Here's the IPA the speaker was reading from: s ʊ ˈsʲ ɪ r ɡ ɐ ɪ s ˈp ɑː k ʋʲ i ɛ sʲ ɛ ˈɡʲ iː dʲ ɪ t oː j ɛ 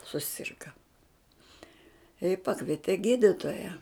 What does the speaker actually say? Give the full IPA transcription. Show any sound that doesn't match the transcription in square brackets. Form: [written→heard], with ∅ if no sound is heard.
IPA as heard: s ʊ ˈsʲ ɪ r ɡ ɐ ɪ [s→∅] ˈp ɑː k ʋʲ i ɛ [sʲ→tʲ] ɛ ˈɡʲ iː dʲ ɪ t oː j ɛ